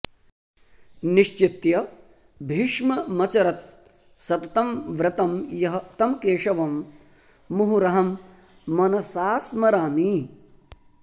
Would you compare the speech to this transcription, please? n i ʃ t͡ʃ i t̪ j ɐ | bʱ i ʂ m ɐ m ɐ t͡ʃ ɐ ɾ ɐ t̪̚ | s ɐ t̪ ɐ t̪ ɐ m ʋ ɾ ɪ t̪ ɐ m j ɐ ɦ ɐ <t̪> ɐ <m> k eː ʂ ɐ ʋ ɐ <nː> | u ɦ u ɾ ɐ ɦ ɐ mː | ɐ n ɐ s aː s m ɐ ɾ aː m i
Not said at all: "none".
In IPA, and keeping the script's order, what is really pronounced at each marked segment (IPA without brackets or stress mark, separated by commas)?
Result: t̪, m, mː